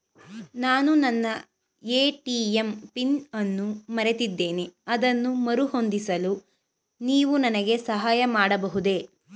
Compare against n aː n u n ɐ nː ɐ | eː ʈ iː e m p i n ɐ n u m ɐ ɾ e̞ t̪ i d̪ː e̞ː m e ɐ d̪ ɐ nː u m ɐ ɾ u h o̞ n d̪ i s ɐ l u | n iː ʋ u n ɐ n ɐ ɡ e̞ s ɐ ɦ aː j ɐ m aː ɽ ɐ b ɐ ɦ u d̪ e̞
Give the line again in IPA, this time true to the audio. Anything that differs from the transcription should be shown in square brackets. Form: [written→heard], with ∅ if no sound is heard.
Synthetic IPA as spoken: n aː n u n ɐ nː ɐ | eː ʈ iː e m p i n ɐ [n→nː] u m ɐ ɾ e̞ t̪ i d̪ː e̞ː [m→n] e ɐ d̪ ɐ nː u m ɐ ɾ u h o̞ n d̪ i s ɐ l u | n iː ʋ u n ɐ n ɐ ɡ e̞ s ɐ ɦ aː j ɐ m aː ɽ ɐ b ɐ ɦ u d̪ e̞

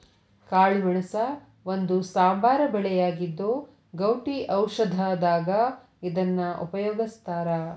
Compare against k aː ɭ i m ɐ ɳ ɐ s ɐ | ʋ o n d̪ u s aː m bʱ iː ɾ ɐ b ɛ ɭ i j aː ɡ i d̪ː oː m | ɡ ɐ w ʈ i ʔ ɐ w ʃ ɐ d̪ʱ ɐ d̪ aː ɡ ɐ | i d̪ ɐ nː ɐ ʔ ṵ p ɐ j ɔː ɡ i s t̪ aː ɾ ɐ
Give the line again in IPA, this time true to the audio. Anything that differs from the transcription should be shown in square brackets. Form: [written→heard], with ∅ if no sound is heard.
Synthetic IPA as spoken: k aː ɭ i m ɐ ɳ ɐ s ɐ | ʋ o n d̪ u s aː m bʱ [iː→aː] ɾ ɐ b ɛ ɭ [i→ɛ] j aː ɡ i d̪ː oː [m→∅] | ɡ ɐ w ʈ i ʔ ɐ w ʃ ɐ d̪ʱ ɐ d̪ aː ɡ ɐ | i d̪ ɐ nː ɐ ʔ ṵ p ɐ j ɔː ɡ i s t̪ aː ɾ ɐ

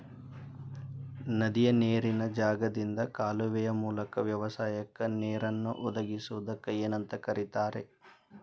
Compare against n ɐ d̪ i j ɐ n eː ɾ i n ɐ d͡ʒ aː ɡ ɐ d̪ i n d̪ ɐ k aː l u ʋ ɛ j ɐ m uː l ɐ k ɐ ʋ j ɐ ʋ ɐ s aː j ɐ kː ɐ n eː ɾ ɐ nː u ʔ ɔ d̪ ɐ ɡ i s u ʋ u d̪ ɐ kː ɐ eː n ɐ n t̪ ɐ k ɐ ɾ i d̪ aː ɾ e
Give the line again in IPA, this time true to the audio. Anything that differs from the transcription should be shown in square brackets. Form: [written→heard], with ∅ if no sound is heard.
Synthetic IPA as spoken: n ɐ d̪ i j ɐ n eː ɾ i n ɐ d͡ʒ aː ɡ ɐ d̪ i n d̪ ɐ k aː l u ʋ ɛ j ɐ m uː l ɐ k ɐ ʋ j ɐ ʋ ɐ s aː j ɐ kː ɐ n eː ɾ ɐ nː u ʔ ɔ d̪ ɐ ɡ i s u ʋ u d̪ ɐ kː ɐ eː n ɐ n t̪ ɐ k ɐ ɾ i [d̪→t̪] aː ɾ e

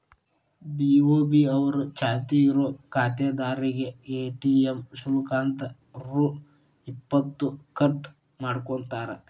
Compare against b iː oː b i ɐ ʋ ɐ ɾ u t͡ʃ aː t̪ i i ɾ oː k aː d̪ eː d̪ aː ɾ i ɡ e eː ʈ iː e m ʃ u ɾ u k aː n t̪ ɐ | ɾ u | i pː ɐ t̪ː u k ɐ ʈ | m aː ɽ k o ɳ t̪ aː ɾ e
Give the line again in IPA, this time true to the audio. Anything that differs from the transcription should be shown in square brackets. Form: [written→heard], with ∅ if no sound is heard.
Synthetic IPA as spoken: b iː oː b i ɐ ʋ ɐ ɾ u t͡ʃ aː t̪ i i ɾ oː k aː [d̪→t̪] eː d̪ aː ɾ i ɡ e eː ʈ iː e m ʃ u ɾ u k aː n t̪ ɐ | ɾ u | i pː ɐ t̪ː u k ɐ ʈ | m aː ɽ k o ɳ t̪ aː ɾ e

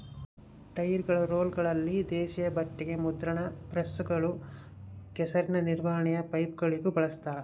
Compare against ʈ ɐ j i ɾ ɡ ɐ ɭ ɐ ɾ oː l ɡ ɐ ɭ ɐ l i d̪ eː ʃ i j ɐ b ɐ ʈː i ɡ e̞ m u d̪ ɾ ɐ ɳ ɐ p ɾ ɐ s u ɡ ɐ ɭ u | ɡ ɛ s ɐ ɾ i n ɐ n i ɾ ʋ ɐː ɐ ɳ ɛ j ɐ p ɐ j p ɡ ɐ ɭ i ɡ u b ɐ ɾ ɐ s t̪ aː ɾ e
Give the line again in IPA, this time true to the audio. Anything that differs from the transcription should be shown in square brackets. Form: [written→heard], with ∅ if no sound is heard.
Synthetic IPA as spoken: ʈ ɐ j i ɾ ɡ ɐ ɭ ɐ ɾ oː l ɡ ɐ ɭ ɐ [l→lː] i d̪ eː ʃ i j ɐ b ɐ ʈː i ɡ e̞ m u d̪ ɾ ɐ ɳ ɐ p ɾ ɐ s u ɡ ɐ ɭ u | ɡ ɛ s ɐ ɾ i n ɐ n i ɾ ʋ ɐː ɐ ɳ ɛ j ɐ p ɐ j p ɡ ɐ ɭ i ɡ u b ɐ [ɾ→ɭ] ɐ s t̪ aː ɾ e

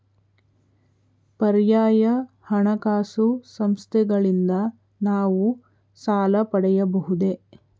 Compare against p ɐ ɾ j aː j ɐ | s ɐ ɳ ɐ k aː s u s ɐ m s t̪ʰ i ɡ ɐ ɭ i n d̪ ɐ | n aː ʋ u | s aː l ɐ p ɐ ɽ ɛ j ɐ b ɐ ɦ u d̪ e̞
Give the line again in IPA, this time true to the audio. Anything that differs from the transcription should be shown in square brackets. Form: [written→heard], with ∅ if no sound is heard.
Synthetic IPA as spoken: p ɐ ɾ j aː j ɐ | [s→h] ɐ ɳ ɐ k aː s u s ɐ m s t̪ʰ [i→ɛ] ɡ ɐ ɭ i n d̪ ɐ | n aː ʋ u | s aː l ɐ p ɐ ɽ ɛ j ɐ b ɐ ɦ u d̪ e̞

